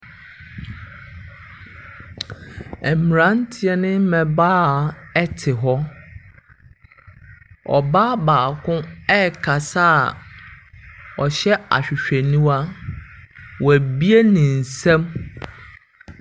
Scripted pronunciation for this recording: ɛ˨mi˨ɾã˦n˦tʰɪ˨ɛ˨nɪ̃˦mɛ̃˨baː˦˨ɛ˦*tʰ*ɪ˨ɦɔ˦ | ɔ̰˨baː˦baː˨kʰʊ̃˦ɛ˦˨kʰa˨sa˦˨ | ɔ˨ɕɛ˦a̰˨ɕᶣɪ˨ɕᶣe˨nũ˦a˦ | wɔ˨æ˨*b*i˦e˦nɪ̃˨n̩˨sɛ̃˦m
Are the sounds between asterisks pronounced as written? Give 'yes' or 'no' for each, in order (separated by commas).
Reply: yes, yes